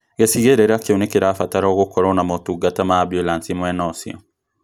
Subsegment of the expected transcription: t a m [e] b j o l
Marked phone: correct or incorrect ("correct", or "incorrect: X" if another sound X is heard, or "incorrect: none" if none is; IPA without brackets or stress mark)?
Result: incorrect: a